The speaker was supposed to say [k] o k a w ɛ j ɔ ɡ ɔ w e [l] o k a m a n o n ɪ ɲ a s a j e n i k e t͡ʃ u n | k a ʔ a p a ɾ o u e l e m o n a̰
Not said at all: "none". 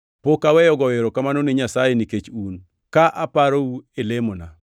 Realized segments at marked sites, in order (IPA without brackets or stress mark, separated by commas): p, ɾ